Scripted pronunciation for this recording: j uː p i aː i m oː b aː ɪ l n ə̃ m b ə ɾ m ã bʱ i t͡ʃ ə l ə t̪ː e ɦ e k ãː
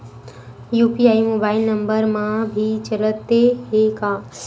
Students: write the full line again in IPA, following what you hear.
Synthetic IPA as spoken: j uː p i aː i m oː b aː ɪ l n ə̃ m b ə ɾ m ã bʱ i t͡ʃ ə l ə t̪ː e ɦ e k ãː